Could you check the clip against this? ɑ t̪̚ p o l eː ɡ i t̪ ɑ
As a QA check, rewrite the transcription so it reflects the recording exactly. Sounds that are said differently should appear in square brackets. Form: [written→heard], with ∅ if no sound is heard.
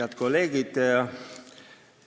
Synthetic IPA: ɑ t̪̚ [p→k] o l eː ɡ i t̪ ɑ

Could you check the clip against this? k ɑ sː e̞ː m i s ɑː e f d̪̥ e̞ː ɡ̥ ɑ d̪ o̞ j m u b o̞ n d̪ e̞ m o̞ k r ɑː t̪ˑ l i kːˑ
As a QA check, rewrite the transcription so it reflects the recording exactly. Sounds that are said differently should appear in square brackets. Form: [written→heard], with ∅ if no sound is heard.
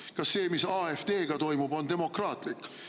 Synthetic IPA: k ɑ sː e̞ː m i s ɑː e f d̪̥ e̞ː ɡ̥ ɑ [d̪→t̪] o̞ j m u b o̞ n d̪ e̞ m o̞ k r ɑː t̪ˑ l i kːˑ

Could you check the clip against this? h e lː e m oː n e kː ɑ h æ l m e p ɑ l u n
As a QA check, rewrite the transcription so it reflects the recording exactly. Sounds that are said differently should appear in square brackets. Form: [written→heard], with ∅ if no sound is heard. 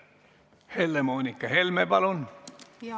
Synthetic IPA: h e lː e m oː n [e→i] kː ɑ h [æ→e] l m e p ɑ l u n

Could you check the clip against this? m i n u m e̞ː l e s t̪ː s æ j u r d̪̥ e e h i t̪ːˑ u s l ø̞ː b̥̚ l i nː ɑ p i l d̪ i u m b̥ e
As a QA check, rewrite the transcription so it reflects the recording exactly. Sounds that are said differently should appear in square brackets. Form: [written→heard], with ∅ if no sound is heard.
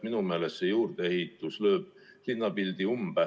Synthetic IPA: m i n u m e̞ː l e s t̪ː s [æ→e] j [u→uː] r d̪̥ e e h i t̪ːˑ u s l ø̞ː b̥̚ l i nː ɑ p i l d̪ i u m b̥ [e→æ]

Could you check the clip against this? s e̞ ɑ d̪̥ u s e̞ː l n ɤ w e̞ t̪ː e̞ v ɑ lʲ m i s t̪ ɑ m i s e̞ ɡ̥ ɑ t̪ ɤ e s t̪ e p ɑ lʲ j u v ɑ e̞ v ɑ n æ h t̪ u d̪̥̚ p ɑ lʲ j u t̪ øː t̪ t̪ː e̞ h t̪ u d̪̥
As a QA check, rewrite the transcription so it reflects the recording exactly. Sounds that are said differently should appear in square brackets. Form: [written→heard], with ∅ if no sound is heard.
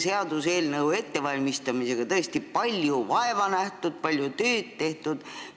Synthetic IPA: s e̞ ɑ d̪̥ u s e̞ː l n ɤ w e̞ t̪ː e̞ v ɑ lʲ m i s t̪ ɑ m i s e̞ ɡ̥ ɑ t̪ ɤ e s t̪ [e→i] p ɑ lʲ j u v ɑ e̞ v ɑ n æ h t̪ u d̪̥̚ p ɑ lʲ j u t̪ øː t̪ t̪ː e̞ h t̪ u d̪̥

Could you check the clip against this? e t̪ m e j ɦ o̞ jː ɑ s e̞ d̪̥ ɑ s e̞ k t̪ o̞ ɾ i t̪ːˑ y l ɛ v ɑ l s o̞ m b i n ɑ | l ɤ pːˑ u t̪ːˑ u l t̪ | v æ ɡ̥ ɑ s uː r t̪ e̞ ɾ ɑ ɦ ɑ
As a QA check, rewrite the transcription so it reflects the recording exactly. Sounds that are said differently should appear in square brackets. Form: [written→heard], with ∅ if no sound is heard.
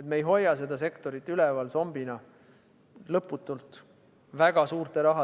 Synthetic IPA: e t̪ m e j ɦ o̞ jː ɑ s e̞ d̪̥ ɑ s e̞ k t̪ o̞ ɾ i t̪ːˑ y l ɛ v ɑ l s o̞ m b i n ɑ | l ɤ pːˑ u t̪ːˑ u l t̪ | v æ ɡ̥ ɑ s uː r t̪ e̞ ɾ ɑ ɦ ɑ

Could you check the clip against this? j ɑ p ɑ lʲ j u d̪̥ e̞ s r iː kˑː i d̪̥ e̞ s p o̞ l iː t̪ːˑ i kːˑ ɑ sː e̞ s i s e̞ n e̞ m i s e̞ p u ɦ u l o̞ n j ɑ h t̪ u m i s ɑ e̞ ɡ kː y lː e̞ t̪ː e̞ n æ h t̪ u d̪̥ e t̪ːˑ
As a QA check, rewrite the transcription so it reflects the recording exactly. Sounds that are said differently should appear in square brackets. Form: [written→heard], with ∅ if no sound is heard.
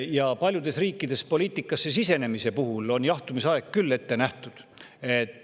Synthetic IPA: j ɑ p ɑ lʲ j u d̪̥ e̞ s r iː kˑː i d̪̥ e̞ s p o̞ l iː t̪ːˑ i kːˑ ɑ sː e̞ s i s e̞ n e̞ m i s e̞ p u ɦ u l o̞ n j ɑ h t̪ u m i s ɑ e̞ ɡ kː y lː e̞ t̪ː e̞ n æ h t̪ u d̪̥ e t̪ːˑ

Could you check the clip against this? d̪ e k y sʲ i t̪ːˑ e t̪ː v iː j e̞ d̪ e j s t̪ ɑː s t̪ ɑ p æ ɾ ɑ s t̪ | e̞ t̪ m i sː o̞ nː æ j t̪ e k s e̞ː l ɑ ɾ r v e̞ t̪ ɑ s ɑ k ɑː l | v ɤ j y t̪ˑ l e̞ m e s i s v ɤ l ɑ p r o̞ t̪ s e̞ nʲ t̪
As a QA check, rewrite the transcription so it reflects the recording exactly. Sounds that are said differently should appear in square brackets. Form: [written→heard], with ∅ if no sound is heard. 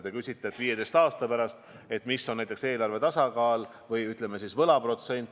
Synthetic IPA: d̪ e k y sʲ i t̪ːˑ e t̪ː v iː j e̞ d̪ e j s t̪ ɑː s t̪ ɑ p æ ɾ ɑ s t̪ | e̞ t̪ m i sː o̞ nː æ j t̪ e k s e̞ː l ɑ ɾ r v e̞ t̪ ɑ s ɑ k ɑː l | v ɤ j y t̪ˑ l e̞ m e s i s v ɤ l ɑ p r o̞ t̪ s e̞ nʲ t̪

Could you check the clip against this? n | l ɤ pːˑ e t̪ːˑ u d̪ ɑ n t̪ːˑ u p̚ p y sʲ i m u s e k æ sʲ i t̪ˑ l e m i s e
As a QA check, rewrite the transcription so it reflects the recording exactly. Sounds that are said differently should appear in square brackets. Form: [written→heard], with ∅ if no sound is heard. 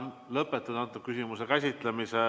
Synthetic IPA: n | l ɤ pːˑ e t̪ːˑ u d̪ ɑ n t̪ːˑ u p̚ [p→k] y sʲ i m u s e k æ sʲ i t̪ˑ l e m i s e

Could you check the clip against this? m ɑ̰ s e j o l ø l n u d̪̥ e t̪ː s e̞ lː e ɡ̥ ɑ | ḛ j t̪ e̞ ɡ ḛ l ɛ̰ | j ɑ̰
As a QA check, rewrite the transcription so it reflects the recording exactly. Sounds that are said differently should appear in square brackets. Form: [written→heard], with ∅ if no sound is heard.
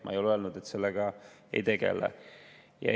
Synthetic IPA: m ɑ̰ [s→∅] e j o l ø l n u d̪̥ e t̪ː s e̞ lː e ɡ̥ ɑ | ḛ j t̪ e̞ ɡ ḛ l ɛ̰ | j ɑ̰

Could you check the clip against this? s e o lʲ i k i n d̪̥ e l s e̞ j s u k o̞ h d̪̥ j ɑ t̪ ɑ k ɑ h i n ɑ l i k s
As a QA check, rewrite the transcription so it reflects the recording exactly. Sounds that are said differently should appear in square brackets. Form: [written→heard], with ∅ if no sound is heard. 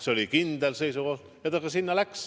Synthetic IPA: s e o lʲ i k i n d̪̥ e l s e̞ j s u k o̞ h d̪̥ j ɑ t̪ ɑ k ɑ [h→s] i [n→nː] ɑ l [i→æ] k s

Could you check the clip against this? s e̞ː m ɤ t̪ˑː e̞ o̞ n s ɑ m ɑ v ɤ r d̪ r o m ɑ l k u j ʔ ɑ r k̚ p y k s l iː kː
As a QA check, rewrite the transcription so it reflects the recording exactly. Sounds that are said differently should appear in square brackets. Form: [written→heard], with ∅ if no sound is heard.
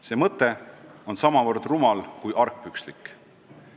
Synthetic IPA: s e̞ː m ɤ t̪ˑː e̞ o̞ n s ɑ m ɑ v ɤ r d̪ r [o→u] m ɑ l k u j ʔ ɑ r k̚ p y k s l [iː→i] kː

